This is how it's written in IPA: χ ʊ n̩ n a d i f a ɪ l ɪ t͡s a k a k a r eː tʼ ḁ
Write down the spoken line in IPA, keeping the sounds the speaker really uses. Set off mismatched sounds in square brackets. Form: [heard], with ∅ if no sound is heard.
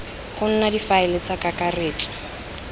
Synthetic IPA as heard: χ ʊ n̩ n a d i f a ɪ l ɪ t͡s a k a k a r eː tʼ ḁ